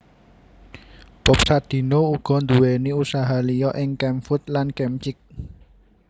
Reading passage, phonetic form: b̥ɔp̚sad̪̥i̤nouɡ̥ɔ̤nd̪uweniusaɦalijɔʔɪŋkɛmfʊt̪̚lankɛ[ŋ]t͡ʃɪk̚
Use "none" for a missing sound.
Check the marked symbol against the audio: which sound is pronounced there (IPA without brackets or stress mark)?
m